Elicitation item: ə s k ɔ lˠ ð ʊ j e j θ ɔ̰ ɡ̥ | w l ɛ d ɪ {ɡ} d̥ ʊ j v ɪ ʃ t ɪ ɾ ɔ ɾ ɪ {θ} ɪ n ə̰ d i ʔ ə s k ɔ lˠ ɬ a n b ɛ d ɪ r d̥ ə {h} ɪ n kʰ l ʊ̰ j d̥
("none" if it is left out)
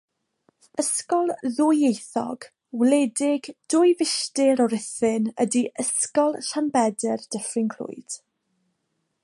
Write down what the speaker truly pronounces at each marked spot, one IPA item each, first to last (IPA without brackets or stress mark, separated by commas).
ɡ, θ, f